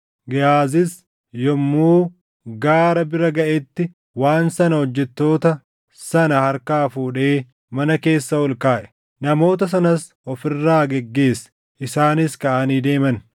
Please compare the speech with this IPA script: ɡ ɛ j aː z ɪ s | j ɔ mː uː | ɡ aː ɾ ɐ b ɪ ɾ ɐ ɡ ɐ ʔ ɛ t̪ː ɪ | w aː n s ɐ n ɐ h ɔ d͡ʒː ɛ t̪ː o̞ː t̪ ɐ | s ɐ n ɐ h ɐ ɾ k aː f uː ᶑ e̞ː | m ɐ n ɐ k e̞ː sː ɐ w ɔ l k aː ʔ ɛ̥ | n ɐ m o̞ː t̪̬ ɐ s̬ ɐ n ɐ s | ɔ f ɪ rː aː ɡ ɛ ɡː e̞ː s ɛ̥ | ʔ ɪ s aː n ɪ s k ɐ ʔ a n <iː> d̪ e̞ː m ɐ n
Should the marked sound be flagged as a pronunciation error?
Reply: no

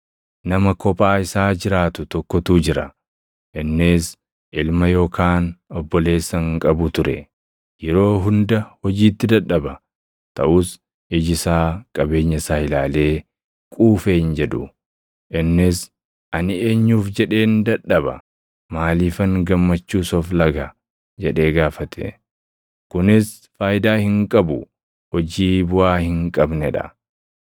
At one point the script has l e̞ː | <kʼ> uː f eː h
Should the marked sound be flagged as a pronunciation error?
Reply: no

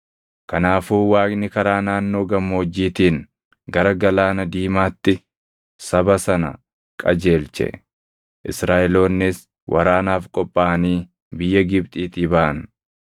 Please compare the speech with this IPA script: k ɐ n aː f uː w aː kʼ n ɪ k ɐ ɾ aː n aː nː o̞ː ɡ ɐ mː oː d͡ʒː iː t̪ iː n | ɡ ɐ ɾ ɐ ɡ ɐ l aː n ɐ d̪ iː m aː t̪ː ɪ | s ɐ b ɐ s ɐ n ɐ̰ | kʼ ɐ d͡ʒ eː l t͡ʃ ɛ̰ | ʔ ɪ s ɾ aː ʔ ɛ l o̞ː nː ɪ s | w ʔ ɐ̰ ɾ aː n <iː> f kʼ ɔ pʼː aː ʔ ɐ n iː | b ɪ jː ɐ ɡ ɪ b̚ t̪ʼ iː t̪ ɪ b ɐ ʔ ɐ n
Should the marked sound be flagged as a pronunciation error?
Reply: yes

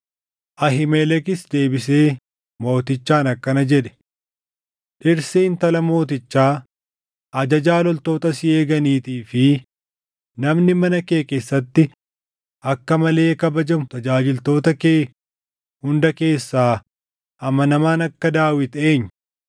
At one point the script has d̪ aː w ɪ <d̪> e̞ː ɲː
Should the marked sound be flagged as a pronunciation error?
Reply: yes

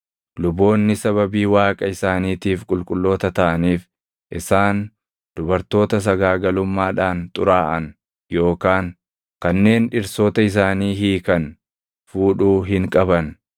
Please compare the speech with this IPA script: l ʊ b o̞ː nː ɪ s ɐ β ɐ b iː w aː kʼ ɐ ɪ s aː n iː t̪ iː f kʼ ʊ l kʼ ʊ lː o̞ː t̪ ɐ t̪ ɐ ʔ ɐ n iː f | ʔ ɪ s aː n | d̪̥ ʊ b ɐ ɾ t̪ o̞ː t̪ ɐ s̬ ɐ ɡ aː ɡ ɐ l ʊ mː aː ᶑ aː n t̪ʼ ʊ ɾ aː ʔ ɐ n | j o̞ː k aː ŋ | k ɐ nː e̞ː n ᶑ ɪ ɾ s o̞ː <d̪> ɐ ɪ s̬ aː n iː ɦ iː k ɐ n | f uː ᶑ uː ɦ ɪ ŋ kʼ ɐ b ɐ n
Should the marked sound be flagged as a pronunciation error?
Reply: yes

